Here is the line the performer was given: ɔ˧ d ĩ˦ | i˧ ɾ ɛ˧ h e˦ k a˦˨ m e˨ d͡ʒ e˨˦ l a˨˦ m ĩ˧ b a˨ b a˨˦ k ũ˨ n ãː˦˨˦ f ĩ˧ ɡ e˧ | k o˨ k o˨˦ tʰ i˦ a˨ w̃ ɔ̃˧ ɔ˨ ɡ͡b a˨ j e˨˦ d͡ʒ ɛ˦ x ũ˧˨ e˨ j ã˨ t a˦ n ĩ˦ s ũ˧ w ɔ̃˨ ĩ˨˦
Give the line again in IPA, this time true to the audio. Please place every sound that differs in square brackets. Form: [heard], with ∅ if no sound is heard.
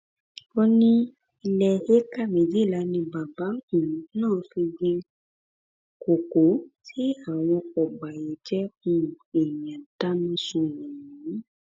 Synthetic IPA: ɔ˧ [n] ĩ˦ | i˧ [l] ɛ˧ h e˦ k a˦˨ m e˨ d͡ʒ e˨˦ l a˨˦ [n] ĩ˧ b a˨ b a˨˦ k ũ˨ n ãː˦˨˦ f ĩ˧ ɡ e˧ | k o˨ k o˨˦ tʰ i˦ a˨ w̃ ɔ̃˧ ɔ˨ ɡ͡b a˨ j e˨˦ d͡ʒ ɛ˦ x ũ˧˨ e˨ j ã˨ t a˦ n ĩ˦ s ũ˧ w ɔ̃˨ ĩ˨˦